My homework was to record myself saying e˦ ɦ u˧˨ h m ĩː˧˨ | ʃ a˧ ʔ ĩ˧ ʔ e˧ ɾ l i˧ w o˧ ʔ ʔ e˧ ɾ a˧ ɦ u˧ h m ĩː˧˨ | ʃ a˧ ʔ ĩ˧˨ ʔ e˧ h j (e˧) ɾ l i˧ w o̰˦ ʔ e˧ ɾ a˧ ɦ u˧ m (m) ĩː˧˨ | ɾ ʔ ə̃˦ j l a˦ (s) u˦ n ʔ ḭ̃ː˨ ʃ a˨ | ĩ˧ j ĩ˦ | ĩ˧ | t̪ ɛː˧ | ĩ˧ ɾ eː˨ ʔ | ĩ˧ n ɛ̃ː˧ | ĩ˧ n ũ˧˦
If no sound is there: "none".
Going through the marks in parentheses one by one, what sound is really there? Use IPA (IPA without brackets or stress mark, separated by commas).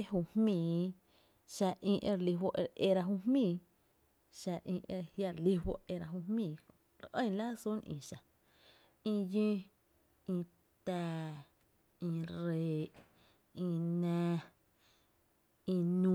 a˧, m, s